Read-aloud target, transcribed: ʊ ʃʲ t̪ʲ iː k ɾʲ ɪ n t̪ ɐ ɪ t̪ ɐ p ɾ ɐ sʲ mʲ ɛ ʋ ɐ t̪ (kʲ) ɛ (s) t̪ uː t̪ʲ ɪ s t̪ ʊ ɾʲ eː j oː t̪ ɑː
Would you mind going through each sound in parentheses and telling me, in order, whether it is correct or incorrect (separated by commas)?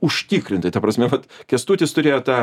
correct, correct